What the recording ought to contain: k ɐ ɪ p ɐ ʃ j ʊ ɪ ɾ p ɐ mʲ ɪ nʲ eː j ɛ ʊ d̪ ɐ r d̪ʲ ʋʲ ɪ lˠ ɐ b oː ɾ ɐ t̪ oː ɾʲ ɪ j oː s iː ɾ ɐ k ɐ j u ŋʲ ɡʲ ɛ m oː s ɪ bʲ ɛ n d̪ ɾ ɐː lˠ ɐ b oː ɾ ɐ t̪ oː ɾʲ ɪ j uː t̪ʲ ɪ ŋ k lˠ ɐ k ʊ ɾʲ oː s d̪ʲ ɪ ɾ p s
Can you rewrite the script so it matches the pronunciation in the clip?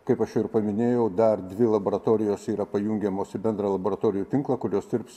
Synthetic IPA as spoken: k ɐ ɪ p ɐ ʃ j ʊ ɪ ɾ p ɐ mʲ ɪ nʲ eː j ɛ ʊ d̪ ɐ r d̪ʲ ʋʲ ɪ lˠ ɐ b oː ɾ ɐ t̪ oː ɾʲ ɪ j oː s iː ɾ ɐ p ɐ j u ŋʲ ɡʲ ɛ m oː s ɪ bʲ ɛ n d̪ ɾ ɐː lˠ ɐ b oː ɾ ɐ t̪ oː ɾʲ ɪ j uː t̪ʲ ɪ ŋ k lˠ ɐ k ʊ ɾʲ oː s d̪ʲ ɪ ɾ p s